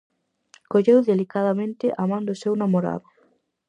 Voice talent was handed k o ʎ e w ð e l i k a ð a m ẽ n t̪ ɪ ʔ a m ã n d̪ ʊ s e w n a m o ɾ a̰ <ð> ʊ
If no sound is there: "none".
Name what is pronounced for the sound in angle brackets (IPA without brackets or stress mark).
ð